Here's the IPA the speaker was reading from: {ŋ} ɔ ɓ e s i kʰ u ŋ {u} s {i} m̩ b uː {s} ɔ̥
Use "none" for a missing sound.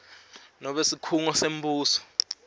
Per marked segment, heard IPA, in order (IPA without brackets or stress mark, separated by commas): n, ɔ, e, s